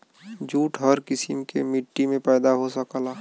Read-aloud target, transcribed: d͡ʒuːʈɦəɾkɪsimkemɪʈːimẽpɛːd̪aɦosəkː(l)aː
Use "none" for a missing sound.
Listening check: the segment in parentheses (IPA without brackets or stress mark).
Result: l